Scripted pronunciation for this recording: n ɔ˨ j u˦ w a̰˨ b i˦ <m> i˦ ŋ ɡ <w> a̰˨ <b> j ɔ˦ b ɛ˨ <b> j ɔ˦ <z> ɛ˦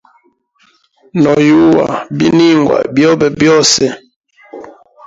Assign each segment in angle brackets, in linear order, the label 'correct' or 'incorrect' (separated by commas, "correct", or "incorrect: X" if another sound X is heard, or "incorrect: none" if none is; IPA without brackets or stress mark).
incorrect: n, correct, correct, correct, incorrect: s